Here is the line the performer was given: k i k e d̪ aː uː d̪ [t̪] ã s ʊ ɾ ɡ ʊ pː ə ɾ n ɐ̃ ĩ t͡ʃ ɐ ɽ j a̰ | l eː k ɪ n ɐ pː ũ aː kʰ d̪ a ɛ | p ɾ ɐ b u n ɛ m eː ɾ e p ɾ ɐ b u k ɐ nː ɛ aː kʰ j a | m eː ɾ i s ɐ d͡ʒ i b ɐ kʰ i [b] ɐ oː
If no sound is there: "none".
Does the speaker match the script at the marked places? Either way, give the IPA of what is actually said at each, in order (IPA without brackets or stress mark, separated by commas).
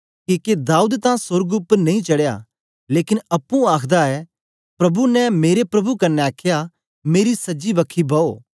t̪, b